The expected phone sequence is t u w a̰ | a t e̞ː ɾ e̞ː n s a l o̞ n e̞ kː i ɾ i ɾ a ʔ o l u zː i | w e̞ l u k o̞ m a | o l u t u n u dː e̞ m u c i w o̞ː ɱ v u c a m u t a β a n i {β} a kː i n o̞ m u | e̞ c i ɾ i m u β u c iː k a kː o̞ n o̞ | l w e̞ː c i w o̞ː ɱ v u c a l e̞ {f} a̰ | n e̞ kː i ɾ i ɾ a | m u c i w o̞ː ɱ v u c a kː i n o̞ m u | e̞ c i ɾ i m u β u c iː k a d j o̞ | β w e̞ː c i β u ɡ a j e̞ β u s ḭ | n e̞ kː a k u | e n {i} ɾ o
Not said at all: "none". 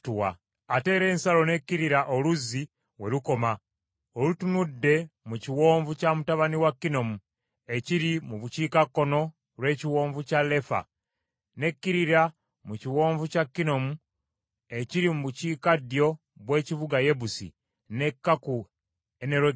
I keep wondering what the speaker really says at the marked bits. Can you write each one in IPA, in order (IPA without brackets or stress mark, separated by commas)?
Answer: w, f, e